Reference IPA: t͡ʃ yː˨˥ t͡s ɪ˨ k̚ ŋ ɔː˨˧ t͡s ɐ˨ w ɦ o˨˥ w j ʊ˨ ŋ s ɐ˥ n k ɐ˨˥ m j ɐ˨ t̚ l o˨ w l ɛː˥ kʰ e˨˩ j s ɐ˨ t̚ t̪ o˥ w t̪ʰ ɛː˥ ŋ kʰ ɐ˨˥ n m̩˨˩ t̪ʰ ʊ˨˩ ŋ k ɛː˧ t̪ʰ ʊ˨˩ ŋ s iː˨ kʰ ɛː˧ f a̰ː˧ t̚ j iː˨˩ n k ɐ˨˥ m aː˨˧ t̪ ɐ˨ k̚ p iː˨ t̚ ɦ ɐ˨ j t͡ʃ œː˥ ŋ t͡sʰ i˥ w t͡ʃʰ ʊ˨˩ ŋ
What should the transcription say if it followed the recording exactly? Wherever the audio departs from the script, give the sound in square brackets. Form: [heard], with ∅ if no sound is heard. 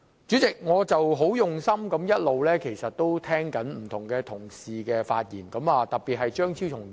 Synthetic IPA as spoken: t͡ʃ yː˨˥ t͡s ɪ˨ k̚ ŋ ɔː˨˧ t͡s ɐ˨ w ɦ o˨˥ w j ʊ˨ ŋ s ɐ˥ [m] k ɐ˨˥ m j [ɐ˥] t̚ l o˨ w l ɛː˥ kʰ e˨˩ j s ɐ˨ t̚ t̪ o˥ w t̪ʰ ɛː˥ ŋ [k] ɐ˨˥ n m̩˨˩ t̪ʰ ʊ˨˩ ŋ k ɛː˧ t̪ʰ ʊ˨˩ ŋ s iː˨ [k] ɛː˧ f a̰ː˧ t̚ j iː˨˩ n k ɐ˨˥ m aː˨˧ t̪ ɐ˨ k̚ p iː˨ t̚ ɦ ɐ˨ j t͡ʃ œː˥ ŋ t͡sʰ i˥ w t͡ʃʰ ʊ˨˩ ŋ